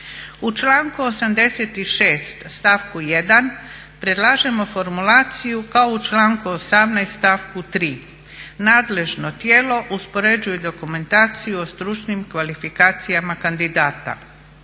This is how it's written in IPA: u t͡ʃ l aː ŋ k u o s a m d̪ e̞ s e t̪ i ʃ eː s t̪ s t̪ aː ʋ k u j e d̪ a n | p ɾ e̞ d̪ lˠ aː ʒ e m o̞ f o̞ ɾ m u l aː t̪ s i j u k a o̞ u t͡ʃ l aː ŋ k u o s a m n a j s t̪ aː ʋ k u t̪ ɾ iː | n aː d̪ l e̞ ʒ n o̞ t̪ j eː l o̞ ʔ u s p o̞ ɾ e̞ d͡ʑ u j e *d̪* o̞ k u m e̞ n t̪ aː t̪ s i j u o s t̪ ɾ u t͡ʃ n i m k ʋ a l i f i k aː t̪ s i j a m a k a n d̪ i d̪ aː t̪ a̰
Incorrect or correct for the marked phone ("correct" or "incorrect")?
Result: correct